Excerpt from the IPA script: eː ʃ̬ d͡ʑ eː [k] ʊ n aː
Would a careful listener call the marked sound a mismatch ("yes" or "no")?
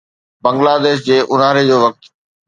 yes